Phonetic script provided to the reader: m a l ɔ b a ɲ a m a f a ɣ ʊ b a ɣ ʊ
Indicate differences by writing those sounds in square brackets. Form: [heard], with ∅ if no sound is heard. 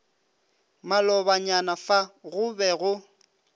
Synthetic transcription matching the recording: m a l ɔ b a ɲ a [n] a f a ɣ ʊ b [ɛ] ɣ ʊ

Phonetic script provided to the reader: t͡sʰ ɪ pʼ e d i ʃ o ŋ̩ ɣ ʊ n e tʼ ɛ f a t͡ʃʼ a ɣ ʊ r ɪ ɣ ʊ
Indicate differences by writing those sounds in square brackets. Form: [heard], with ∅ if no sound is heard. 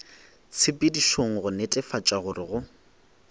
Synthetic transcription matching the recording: t͡sʰ ɪ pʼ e d i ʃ o ŋ̩ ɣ ʊ n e tʼ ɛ f a t͡ʃʼ a ɣ ʊ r ɪ ɣ ʊ

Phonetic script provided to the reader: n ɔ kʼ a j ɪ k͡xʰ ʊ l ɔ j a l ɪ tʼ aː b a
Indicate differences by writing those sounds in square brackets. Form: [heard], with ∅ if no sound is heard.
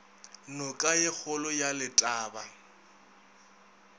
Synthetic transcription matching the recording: n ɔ kʼ a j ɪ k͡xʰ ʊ l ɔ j a l ɪ tʼ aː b a

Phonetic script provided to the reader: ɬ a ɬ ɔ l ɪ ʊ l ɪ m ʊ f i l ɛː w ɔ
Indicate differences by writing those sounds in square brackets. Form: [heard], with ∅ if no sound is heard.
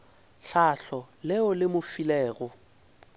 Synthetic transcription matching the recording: ɬ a ɬ ɔ l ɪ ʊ l ɪ m ʊ f i l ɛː [ɣ] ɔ

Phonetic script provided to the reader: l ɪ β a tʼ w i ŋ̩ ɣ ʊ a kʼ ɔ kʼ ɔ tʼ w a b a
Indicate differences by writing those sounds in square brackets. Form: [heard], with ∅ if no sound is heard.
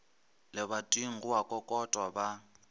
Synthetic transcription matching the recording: l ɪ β a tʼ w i ŋ̩ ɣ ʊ a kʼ ɔ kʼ ɔ tʼ w a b a

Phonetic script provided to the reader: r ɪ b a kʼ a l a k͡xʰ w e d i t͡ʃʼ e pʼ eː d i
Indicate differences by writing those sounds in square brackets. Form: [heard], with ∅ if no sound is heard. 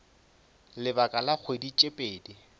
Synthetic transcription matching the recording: [l] ɪ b a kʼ a l a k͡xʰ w e d i t͡ʃʼ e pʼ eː d i

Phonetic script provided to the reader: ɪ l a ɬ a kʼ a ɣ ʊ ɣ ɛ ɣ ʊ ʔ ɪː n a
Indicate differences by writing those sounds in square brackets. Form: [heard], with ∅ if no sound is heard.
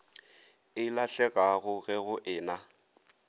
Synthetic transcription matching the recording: ɪ l a ɬ [ɛ] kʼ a ɣ ʊ ɣ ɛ ɣ ʊ ʔ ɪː n a

